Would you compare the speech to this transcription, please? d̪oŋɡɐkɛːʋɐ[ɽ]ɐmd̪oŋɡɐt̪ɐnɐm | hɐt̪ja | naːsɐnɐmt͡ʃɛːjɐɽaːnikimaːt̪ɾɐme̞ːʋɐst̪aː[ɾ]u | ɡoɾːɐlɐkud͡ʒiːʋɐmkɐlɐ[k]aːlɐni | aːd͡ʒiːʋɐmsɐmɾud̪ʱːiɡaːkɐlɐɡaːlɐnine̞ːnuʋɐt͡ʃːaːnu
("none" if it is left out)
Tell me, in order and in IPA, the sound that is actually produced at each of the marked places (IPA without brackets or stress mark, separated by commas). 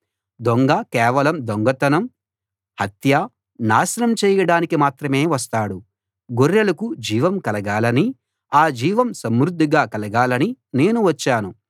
l, ɽ, ɡ